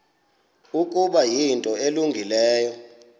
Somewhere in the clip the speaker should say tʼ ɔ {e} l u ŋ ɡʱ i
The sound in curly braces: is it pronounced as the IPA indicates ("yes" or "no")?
yes